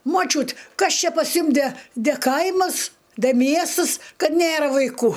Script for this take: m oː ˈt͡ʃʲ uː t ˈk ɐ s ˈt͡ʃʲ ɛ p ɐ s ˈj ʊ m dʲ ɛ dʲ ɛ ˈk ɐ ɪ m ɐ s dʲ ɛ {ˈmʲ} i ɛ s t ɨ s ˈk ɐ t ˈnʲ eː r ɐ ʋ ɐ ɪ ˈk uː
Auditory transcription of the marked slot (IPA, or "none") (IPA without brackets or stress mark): mʲ